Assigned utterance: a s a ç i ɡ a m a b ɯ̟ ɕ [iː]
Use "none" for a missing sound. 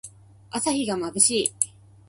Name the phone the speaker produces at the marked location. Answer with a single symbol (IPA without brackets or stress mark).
iː